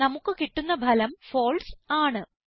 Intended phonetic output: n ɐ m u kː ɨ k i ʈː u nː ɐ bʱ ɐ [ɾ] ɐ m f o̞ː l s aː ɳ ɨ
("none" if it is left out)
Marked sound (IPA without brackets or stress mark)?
l